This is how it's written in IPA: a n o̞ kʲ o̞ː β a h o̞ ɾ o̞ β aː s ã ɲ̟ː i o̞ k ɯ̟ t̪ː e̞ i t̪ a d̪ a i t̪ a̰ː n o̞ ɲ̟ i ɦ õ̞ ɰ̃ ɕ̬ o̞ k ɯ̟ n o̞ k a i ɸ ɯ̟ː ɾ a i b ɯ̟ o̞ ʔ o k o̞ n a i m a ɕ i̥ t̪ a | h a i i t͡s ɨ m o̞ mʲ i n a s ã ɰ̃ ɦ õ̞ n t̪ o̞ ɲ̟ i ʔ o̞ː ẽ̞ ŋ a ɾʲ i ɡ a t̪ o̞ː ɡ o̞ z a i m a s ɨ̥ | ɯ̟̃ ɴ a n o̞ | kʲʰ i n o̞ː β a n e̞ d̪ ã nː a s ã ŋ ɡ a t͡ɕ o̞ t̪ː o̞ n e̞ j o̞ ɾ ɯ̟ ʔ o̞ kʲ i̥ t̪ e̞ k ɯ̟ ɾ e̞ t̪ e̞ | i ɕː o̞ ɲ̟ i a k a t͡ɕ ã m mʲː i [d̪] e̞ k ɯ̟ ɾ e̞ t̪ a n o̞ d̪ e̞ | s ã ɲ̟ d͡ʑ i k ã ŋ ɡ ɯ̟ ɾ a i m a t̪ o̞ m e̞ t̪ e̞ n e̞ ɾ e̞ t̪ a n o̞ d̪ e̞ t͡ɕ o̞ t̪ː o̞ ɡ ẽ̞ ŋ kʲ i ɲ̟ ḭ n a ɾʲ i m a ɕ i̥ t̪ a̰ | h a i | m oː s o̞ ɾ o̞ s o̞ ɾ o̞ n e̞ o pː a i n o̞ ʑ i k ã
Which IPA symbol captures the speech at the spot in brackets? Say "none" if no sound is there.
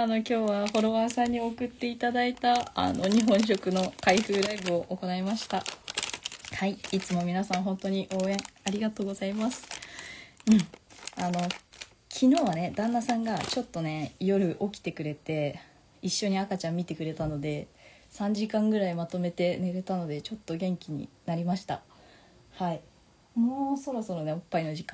t̪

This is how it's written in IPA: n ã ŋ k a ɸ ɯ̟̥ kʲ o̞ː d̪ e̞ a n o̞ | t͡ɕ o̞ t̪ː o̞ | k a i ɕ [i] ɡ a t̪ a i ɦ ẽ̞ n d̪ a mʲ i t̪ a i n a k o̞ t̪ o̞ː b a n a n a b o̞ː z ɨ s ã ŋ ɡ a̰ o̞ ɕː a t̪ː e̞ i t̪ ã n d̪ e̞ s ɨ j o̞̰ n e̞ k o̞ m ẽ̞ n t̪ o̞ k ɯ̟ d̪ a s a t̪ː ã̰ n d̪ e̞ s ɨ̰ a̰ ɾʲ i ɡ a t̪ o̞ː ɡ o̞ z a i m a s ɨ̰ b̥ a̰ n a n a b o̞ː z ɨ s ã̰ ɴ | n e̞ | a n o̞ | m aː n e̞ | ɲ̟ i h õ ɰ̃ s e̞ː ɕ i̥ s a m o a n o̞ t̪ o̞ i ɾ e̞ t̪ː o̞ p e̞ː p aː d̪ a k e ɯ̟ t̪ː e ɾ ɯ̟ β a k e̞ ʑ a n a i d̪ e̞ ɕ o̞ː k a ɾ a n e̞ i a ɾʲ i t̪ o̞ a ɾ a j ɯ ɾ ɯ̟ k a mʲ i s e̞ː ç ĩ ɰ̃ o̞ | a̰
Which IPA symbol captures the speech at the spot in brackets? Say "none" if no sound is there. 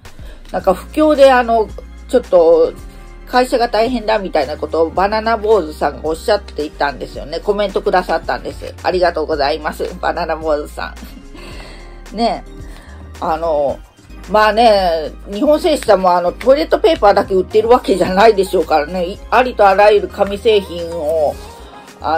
a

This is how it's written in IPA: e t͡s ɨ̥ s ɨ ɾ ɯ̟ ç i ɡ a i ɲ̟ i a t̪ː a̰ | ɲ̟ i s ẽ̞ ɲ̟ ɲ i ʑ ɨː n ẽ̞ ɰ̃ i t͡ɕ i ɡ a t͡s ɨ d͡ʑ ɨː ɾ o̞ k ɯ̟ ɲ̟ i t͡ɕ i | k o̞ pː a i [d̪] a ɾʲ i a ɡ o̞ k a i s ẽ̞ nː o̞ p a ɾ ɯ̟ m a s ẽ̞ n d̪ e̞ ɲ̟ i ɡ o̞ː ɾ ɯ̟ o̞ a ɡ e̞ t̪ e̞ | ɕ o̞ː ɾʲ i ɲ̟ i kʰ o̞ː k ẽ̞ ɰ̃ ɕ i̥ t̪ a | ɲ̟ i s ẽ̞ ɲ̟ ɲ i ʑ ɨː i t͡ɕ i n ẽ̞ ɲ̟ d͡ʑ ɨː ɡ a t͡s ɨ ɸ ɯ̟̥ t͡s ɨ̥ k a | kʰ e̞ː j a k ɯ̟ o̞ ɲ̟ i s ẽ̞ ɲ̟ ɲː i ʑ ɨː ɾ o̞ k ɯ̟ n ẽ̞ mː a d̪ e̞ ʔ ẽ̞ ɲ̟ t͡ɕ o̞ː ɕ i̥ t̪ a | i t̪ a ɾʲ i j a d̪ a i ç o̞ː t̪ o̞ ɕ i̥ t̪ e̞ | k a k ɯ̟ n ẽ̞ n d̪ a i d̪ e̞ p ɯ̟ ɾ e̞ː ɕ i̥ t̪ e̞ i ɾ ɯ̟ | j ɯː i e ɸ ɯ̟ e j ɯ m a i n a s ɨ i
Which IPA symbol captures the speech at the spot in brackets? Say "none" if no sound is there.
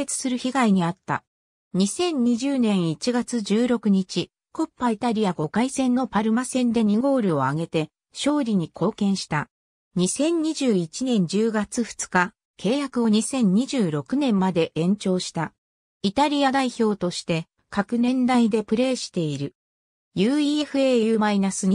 t̪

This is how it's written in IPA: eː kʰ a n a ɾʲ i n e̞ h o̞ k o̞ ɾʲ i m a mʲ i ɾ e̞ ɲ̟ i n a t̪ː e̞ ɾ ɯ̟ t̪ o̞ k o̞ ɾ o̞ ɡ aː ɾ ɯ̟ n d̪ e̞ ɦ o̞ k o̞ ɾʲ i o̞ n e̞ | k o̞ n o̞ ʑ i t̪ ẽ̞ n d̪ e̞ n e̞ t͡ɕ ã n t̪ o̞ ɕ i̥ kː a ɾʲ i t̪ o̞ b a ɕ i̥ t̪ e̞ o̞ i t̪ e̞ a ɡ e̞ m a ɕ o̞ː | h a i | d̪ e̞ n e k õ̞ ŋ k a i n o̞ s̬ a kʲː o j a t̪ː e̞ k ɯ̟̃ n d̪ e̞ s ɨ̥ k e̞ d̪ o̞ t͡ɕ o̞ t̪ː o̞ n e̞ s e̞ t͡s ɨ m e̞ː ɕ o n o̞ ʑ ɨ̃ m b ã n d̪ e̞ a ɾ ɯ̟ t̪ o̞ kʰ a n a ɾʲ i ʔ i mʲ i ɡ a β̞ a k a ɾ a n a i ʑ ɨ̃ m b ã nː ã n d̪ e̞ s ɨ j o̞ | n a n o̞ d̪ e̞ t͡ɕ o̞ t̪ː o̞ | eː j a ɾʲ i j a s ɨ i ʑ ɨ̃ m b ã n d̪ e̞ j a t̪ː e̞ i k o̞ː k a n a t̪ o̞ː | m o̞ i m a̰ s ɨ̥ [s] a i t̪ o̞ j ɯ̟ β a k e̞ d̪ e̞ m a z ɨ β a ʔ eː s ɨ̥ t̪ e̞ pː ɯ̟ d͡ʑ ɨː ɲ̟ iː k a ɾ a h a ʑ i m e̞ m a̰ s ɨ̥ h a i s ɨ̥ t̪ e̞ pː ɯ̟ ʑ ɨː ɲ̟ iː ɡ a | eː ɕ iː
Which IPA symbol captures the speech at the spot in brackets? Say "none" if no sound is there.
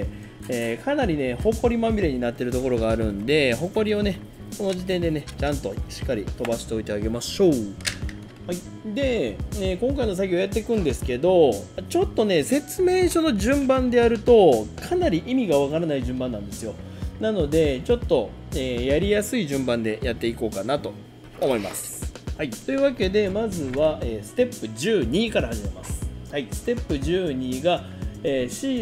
h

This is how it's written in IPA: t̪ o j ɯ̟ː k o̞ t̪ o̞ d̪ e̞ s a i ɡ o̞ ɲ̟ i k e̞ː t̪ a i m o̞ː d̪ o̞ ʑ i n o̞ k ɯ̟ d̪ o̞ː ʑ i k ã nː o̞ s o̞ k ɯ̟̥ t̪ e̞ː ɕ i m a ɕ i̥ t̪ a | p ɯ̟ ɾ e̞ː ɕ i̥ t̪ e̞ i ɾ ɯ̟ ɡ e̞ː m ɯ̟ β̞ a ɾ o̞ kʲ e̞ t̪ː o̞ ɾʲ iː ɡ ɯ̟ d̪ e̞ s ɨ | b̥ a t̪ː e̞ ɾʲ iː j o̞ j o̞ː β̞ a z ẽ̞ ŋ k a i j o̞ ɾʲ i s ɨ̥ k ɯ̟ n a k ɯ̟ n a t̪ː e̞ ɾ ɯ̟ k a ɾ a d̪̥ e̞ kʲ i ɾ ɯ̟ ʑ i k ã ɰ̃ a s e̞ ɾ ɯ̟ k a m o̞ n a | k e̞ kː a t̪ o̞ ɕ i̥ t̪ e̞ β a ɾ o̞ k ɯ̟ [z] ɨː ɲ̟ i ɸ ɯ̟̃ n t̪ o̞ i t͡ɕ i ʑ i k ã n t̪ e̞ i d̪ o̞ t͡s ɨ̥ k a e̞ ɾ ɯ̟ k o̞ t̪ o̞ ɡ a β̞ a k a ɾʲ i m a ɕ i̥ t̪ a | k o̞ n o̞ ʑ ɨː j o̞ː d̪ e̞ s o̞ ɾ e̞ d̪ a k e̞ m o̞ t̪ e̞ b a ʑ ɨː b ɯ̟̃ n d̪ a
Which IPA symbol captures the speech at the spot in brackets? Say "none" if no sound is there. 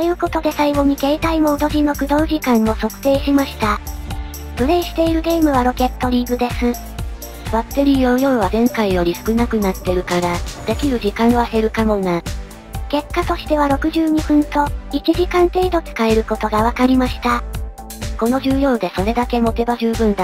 ʑ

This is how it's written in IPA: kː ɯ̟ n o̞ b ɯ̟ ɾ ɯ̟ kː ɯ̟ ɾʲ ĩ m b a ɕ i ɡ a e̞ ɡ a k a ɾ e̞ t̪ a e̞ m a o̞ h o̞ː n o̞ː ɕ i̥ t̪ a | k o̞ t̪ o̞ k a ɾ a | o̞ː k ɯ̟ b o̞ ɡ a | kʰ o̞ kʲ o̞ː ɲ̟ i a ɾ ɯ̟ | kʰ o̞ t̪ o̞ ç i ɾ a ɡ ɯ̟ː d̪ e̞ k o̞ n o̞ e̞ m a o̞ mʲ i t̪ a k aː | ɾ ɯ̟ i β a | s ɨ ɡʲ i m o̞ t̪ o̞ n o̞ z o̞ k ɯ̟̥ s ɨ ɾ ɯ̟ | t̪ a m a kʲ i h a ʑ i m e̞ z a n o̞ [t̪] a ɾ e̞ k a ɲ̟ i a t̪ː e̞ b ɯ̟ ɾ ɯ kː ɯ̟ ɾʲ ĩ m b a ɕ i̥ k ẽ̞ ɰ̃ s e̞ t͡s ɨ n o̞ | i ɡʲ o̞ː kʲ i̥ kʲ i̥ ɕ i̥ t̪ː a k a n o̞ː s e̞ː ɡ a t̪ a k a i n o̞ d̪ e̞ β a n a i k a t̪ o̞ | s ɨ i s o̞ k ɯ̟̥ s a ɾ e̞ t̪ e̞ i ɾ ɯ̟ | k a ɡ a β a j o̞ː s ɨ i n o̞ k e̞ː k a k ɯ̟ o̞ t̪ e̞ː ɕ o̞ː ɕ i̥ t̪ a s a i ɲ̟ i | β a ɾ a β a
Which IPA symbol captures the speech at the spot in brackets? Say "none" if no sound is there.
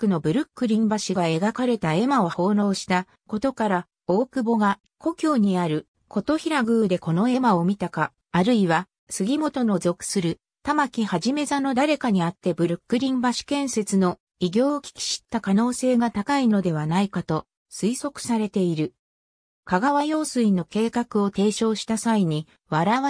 d̪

